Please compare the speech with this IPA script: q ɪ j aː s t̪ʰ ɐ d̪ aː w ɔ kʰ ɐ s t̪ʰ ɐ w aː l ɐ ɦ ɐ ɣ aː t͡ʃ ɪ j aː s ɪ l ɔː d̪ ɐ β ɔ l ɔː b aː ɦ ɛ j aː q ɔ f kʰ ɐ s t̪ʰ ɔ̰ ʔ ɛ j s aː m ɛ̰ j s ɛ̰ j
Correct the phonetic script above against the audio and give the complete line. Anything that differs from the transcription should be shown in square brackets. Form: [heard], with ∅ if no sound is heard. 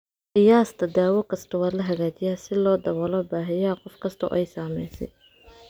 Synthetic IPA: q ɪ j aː s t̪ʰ ɐ d̪ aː w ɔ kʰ ɐ s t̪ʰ ɐ w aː l ɐ ɦ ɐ ɣ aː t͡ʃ ɪ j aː s ɪ l ɔː d̪ ɐ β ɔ l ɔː b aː ɦ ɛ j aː q ɔ f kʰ ɐ s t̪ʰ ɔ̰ ʔ ɛ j s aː m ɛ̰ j s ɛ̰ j